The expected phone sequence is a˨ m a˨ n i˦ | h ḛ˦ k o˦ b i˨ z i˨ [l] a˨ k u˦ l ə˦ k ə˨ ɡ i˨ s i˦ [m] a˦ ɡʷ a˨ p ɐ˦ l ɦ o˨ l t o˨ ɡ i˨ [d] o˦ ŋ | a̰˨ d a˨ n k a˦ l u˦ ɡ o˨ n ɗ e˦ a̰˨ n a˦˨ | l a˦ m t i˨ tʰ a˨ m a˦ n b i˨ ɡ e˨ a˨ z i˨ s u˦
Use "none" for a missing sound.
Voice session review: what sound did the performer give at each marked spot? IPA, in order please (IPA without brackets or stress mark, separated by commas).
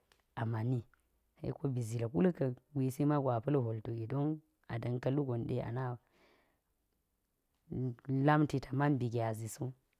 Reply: l, m, d